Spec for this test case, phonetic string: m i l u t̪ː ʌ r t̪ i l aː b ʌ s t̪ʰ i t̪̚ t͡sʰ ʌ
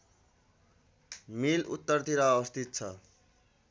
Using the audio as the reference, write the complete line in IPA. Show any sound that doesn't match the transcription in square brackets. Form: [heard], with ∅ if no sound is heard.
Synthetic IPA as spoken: m i l u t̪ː ʌ r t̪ i [ɾ] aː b ʌ s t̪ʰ i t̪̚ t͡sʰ ʌ

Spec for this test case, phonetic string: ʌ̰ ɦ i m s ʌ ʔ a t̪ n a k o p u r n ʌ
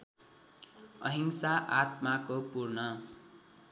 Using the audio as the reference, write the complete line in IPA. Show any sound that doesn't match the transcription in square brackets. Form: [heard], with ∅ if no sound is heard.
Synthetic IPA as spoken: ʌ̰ ɦ i [ŋ] s [a] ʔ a t̪ [m] a k o p u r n ʌ

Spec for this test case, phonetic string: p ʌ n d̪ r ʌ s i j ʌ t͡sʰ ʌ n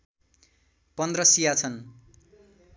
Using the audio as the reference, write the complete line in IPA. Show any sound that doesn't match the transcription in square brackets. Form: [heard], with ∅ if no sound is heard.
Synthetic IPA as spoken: p ʌ n d̪ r ʌ s i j [a] t͡sʰ ʌ n

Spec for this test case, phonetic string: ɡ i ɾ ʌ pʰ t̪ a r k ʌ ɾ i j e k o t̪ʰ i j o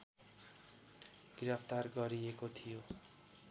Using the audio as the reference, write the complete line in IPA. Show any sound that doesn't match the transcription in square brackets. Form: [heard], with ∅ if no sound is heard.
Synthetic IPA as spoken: ɡ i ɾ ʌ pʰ t̪ a r [ɡ] ʌ ɾ i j e k o t̪ʰ i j o

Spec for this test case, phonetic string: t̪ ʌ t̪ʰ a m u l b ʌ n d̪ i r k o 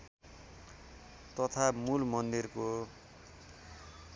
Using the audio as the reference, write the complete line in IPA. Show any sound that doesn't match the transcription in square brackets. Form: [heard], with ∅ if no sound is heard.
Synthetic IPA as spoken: t̪ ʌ t̪ʰ a m u l [m] ʌ n d̪ i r k o

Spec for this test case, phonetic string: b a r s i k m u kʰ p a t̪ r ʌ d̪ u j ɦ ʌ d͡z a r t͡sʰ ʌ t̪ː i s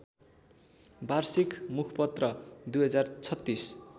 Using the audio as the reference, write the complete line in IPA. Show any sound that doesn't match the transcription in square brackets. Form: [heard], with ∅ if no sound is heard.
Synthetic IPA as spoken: b a r s i k m u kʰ p [ʌ] t̪ r ʌ d̪ u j ɦ ʌ d͡z a r t͡sʰ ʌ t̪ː i s

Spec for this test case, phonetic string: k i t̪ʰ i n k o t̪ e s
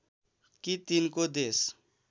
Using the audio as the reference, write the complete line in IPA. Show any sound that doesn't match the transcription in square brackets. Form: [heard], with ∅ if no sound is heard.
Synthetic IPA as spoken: k i [t̪] i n k o [d̪] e s

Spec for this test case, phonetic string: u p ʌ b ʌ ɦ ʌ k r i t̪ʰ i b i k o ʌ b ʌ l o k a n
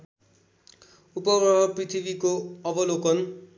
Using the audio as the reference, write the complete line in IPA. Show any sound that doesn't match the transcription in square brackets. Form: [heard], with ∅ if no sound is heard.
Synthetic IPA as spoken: u p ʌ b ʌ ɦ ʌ [p] r i t̪ʰ i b i k o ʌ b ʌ l o k [ʌ] n

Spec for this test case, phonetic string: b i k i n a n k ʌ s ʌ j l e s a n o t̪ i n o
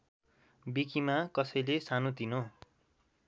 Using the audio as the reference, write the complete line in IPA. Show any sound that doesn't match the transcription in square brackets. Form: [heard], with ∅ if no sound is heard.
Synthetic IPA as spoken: b i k i [m] a [∅] k ʌ s ʌ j l e s a n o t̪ i n o

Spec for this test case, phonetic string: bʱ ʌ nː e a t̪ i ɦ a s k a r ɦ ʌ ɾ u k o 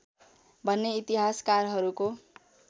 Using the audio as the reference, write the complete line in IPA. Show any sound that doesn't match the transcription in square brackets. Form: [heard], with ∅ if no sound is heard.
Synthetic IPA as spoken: bʱ ʌ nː e [i] t̪ i ɦ a s k a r ɦ ʌ ɾ u k o

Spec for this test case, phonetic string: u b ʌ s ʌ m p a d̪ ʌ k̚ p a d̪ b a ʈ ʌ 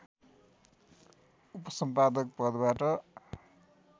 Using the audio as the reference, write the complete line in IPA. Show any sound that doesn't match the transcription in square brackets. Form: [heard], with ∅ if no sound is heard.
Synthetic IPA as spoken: u [p] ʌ s ʌ m p a d̪ ʌ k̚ p [ʌ] d̪ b a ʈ ʌ

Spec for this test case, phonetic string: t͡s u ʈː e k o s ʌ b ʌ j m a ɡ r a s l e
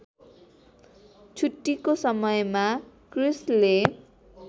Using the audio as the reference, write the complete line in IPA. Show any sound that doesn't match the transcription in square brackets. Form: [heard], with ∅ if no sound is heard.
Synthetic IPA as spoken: [t͡sʰ] u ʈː [i] k o s ʌ [m] ʌ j m a [k] r [i] s l e

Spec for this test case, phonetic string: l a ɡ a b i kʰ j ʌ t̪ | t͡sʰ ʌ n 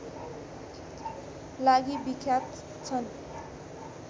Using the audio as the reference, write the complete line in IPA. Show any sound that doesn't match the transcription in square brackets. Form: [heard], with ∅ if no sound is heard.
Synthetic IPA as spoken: l a ɡ [i] b i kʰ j [a] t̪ | t͡sʰ ʌ n

